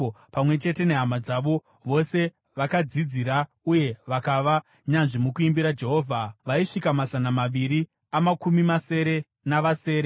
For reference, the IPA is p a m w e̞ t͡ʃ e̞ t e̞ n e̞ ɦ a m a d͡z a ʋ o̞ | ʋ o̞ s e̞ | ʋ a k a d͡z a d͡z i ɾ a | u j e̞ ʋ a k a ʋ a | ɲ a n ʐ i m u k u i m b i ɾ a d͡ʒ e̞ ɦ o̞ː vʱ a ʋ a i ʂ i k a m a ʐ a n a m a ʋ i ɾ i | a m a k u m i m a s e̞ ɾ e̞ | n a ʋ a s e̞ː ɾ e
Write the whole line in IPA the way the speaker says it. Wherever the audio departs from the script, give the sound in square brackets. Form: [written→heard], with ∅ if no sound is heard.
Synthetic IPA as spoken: p a m w e̞ t͡ʃ e̞ t e̞ n e̞ ɦ a m a d͡z a ʋ o̞ | ʋ o̞ s e̞ | ʋ a k a d͡z [a→i] d͡z i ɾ a | u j e̞ ʋ a k a ʋ a | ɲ a n ʐ i m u k u i m b i ɾ a d͡ʒ e̞ ɦ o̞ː vʱ a ʋ a i ʂ i k a m a [ʐ→z] a n a m a ʋ i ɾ i | a m a k u m i m a s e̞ ɾ e̞ | n a ʋ a s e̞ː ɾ e